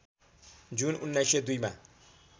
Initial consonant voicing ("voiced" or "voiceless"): voiced